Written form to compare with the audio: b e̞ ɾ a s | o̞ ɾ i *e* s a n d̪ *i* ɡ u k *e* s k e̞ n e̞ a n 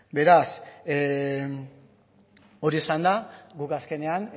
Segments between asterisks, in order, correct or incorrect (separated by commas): correct, incorrect, incorrect